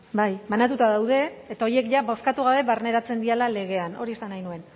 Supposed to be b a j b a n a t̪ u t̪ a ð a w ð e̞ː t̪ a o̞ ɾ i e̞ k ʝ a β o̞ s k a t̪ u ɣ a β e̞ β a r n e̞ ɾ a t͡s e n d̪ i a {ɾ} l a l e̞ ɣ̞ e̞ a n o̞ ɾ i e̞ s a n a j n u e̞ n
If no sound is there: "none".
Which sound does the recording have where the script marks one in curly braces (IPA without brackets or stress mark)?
none